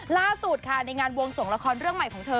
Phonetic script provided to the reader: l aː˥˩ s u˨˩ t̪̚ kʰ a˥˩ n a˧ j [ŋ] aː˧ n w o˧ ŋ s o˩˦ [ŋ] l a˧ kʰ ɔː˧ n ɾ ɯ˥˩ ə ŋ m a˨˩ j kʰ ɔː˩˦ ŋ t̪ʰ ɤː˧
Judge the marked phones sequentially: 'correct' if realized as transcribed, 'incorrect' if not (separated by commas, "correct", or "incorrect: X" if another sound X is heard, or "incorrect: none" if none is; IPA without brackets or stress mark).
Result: correct, correct